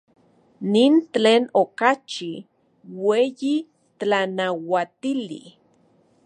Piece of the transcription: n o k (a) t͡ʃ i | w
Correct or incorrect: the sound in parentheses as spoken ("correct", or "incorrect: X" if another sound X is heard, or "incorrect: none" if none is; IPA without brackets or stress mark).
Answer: correct